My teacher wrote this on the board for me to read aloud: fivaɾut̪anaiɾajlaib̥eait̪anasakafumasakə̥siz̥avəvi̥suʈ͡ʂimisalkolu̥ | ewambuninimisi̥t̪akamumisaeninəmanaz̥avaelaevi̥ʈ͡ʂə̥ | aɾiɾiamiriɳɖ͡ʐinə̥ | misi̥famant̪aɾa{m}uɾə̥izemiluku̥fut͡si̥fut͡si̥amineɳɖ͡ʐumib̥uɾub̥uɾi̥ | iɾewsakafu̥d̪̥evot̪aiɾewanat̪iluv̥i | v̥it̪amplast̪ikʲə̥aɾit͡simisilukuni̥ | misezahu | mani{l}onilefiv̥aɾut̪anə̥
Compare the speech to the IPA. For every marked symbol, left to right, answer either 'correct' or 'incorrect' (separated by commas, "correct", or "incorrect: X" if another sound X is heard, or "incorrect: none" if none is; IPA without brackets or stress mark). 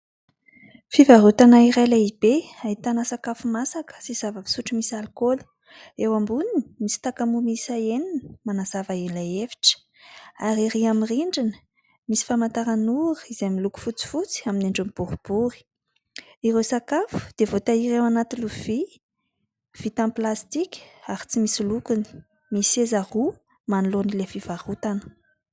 incorrect: n, correct